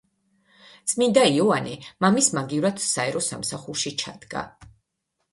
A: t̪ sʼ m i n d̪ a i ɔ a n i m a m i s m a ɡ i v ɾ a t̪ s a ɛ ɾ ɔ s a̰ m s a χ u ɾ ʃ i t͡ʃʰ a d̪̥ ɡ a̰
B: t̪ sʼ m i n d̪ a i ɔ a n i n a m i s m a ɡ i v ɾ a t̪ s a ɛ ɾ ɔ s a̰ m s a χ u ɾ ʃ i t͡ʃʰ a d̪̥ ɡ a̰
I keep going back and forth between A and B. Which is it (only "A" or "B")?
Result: A